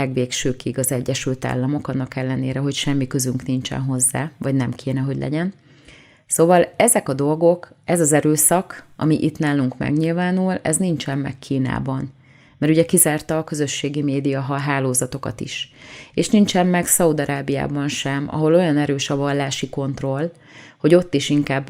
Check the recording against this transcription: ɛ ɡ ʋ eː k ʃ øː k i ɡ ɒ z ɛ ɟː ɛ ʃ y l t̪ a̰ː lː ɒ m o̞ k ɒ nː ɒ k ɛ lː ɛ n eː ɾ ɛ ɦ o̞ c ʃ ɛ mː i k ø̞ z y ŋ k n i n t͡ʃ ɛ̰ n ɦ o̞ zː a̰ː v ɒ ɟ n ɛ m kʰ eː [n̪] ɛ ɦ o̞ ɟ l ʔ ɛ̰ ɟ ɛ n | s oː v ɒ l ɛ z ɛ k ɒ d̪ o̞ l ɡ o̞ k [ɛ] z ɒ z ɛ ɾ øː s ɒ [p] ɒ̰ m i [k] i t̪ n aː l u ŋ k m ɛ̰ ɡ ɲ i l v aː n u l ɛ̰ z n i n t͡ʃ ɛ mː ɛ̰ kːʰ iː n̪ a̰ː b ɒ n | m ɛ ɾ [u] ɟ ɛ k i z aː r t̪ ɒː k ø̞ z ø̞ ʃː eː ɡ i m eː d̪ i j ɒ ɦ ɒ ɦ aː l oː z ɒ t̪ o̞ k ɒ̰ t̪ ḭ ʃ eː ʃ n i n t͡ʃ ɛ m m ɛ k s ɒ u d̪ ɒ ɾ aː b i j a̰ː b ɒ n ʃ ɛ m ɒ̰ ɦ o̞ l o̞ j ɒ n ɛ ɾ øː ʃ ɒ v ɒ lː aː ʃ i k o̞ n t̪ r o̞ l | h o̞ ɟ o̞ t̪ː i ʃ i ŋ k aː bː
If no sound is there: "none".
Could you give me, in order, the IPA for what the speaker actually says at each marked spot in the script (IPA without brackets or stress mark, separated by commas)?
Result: n̪, ɛ, k, ʔ, u